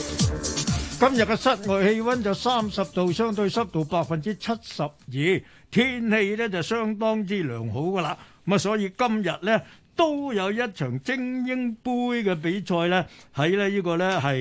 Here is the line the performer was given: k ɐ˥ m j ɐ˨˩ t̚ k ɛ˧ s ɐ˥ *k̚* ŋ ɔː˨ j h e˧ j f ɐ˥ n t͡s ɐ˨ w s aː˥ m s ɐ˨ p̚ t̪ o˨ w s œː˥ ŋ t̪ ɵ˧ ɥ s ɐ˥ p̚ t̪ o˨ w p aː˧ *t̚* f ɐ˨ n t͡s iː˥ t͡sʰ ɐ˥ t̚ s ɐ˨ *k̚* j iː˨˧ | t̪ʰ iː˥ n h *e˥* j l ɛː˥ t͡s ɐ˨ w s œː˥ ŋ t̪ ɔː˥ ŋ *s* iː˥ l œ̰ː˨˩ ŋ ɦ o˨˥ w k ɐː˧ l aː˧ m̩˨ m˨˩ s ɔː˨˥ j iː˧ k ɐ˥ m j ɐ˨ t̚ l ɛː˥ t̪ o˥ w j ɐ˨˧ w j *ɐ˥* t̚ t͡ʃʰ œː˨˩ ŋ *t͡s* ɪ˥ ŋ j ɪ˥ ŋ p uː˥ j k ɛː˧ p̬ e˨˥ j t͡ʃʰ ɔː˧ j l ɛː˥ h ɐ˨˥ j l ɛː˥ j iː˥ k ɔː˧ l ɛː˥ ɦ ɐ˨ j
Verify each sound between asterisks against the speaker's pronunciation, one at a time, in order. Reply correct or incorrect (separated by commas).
incorrect, incorrect, incorrect, incorrect, incorrect, correct, correct